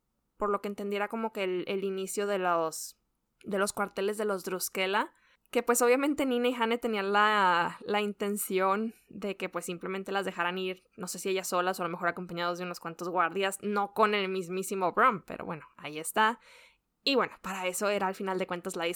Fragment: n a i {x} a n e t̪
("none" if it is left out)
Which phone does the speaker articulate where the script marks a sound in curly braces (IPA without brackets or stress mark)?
x